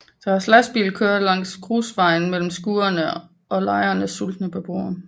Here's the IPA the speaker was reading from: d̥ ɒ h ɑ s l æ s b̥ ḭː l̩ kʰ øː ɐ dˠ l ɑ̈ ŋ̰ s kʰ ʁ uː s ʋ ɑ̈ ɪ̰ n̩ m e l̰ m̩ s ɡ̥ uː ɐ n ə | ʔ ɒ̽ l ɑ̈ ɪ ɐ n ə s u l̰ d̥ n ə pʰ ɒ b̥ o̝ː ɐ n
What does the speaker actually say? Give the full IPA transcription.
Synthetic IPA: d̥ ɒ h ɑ s l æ s b̥ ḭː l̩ kʰ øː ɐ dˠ l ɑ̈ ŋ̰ s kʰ ʁ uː s ʋ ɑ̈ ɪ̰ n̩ m e l̰ m̩ s ɡ̥ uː ɐ n ə | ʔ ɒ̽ l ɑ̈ ɪ ɐ n ə s u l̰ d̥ n ə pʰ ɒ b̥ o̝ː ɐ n

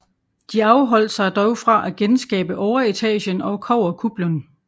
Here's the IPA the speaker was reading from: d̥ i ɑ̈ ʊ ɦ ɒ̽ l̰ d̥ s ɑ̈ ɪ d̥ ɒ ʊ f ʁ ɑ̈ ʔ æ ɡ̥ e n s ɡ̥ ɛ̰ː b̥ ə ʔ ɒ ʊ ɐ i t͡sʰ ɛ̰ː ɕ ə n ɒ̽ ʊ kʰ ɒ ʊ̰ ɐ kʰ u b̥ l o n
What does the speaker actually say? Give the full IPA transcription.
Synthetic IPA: d̥ i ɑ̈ ʊ ɦ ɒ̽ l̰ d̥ s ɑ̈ ɪ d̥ ɒ ʊ f ʁ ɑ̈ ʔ æ ɡ̥ e n s ɡ̥ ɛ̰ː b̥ ə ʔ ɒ ʊ ɐ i t͡sʰ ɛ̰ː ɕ ə n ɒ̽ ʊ kʰ ɒ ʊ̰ ɐ kʰ u b̥ l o n

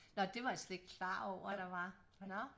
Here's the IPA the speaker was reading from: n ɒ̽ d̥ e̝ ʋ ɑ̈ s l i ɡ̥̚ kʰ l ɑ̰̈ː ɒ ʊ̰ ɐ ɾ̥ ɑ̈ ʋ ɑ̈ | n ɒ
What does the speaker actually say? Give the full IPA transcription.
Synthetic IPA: n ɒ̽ d̥ e̝ ʋ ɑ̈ s l e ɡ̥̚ kʰ l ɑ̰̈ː ɒ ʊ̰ ɐ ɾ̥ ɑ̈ ʋ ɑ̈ | n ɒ

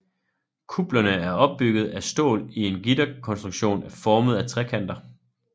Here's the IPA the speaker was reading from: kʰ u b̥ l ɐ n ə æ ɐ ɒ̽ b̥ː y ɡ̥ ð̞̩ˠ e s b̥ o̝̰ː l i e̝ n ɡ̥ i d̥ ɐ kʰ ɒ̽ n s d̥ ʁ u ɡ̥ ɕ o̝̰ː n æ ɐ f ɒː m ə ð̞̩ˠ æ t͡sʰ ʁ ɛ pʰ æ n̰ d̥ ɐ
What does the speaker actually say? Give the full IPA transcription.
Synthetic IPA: kʰ u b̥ l ɐ n ə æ ɐ ɒ̽ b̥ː y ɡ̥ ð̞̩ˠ æ s d̥ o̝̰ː l i e̝ n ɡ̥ i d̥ ɐ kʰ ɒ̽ n s d̥ ʁ u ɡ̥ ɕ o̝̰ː n æ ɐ f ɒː m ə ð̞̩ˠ æ t͡sʰ ʁ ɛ kʰ æ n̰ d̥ ɐ

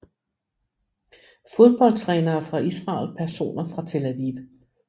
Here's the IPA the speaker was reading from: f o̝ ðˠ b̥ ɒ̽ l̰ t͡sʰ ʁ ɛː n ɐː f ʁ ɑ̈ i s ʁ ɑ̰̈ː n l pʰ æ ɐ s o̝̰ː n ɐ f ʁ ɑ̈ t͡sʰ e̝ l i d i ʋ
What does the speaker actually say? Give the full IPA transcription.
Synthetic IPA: f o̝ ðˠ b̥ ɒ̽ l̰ t͡sʰ ʁ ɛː n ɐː f ʁ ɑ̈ i s ʁ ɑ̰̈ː l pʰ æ ɐ s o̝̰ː n ɐ f ʁ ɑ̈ t͡sʰ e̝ l æ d i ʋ

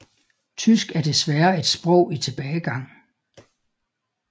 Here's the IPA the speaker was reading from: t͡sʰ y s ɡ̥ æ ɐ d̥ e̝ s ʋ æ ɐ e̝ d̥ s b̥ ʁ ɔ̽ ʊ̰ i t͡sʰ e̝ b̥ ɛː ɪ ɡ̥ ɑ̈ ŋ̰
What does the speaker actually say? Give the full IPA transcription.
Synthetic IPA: t͡sʰ y s ɡ̥ æ ɐ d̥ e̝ s ʋ æ ɐ e̝ d̥ s b̥ ʁ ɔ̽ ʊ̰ i t͡sʰ e̝ b̥ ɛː ɪ ɡ̥ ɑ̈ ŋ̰

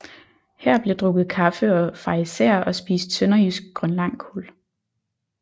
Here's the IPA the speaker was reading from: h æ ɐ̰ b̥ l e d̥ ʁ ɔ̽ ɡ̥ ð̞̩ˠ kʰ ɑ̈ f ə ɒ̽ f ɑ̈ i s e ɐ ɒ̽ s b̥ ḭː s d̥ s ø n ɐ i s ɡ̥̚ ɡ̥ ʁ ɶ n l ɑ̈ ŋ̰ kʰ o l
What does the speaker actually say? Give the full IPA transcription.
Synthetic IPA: h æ ɐ̰ b̥ l e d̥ ʁ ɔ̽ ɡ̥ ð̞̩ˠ kʰ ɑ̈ f ə ɒ̽ f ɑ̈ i s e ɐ ɒ̽ s b̥ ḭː s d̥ s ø n ɐ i s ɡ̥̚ ɡ̥ ʁ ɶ n l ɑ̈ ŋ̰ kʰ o l

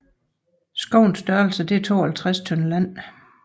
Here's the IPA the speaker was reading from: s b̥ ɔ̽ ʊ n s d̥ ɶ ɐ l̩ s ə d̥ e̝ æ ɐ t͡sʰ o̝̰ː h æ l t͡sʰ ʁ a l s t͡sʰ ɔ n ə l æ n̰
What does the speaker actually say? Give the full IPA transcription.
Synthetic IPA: s ɡ̥ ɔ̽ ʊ n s d̥ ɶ ɐ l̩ s ə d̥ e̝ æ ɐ t͡sʰ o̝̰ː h æ l t͡sʰ ʁ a s t͡sʰ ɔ n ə l æ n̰

